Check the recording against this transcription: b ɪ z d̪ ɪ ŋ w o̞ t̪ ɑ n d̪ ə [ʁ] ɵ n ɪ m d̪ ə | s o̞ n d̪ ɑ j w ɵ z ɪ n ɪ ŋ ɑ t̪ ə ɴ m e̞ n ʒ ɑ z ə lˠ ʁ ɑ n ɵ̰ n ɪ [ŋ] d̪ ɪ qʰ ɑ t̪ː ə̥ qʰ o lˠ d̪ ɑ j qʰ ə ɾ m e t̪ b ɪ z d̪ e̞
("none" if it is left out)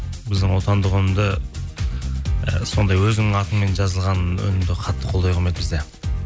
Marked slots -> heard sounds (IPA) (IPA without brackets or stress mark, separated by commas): ʁ, m